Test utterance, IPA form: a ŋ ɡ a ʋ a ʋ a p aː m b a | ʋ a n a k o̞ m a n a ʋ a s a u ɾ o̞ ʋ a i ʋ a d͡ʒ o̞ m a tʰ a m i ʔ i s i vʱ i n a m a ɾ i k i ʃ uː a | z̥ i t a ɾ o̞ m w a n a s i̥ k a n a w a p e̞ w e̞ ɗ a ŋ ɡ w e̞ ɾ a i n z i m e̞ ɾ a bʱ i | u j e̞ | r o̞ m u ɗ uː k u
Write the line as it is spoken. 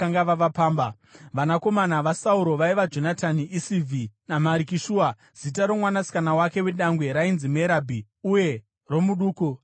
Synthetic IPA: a ŋ ɡ a ʋ a ʋ a p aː m b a | ʋ a n a k o̞ m a n a ʋ a s a u ɾ o̞ ʋ a i ʋ a d͡ʒ o̞ n a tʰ a n i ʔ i s i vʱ i n a m a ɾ i k i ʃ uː a | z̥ i t a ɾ o̞ m w a n a s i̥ k a n a w a k e̞ w e̞ ɗ a ŋ ɡ w e̞ ɾ a i n z i m e̞ ɾ a bʱ i | u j e̞ | r o̞ m u ɗ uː k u